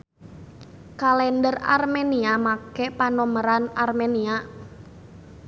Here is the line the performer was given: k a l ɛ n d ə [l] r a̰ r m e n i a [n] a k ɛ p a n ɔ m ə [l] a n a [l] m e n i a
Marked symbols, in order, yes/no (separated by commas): no, no, no, no